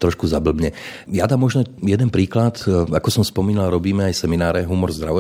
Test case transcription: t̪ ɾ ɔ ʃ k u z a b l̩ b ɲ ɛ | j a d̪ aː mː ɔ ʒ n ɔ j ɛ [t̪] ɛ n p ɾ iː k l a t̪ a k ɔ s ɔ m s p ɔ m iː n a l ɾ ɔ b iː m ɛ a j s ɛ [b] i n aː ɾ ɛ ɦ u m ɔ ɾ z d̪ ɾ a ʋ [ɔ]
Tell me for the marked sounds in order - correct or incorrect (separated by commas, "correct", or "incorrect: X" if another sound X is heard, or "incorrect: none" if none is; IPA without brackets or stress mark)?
incorrect: d̪, incorrect: m, correct